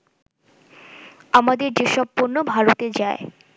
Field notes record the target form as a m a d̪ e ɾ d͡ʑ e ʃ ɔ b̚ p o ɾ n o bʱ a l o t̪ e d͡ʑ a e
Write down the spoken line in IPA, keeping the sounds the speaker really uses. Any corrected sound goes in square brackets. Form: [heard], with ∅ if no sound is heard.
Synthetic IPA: a m a d̪ e ɾ d͡ʑ e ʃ ɔ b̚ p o ɾ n o bʱ a [ɾ] o t̪ e d͡ʑ a e